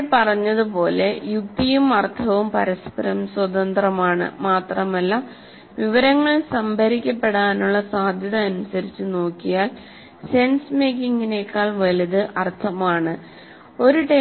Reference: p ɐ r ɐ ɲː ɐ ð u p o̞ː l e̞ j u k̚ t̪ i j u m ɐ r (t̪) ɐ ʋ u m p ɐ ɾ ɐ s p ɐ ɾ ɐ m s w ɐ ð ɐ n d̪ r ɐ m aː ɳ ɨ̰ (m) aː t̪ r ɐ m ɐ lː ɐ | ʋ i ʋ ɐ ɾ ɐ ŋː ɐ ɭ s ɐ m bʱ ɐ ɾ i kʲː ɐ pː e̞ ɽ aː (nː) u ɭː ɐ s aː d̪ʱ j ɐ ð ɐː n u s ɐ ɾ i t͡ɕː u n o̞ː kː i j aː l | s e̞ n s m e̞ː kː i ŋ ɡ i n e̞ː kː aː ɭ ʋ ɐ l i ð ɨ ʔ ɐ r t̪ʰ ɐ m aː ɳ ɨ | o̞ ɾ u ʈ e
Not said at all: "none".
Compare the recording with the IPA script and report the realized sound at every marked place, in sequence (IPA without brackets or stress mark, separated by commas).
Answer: t̪ʰ, m, n